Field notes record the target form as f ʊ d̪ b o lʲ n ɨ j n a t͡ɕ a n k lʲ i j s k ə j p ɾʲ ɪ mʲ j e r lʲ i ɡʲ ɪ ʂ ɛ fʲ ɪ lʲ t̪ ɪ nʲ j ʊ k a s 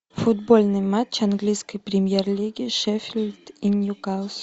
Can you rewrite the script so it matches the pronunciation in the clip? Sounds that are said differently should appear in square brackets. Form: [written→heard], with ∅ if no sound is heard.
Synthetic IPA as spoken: f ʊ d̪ b o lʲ n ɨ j [n→m] a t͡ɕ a n [k→ɡ] lʲ i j s k ə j p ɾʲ ɪ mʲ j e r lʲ i ɡʲ ɪ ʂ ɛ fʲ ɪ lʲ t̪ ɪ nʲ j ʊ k a s